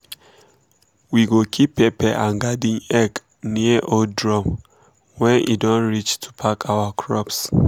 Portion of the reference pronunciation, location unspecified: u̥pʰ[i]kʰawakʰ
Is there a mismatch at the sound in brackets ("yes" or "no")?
yes